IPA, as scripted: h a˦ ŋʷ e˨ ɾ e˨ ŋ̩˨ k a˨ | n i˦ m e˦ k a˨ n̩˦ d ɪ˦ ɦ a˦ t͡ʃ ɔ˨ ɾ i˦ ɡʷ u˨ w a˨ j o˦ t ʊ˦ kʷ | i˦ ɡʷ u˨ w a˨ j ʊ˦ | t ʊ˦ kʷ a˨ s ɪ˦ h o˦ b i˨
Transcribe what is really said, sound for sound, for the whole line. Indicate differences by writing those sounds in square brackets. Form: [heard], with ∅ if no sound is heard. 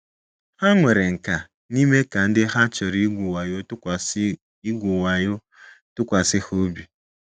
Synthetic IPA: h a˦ ŋʷ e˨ ɾ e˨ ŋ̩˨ k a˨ | n i˦ m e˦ k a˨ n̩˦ d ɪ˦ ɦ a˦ t͡ʃ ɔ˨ ɾ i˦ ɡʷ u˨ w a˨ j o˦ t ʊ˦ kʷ | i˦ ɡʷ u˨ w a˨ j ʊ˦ | t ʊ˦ kʷ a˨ s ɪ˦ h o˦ b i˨